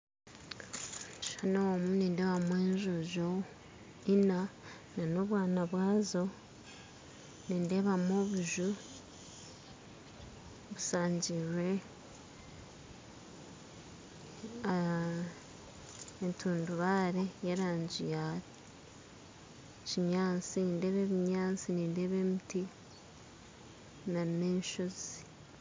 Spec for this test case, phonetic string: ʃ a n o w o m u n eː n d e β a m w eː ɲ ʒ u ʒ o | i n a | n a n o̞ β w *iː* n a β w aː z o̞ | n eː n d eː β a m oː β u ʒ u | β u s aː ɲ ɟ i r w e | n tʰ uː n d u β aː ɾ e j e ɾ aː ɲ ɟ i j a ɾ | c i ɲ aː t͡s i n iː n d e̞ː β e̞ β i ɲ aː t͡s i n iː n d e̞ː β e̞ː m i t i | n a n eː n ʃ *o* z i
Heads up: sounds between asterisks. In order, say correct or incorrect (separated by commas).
incorrect, correct